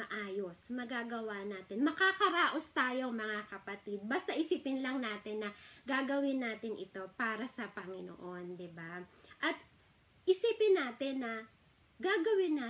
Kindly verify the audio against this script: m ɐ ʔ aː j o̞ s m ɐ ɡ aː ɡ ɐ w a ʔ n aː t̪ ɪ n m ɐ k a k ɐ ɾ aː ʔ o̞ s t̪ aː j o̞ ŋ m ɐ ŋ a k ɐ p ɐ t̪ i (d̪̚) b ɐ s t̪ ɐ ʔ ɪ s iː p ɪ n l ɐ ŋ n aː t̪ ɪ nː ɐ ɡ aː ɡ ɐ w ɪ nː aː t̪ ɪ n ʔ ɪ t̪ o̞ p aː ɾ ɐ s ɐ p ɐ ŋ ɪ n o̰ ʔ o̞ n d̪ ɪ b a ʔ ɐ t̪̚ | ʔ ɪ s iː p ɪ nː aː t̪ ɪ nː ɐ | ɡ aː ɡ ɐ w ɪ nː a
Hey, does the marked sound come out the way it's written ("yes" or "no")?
yes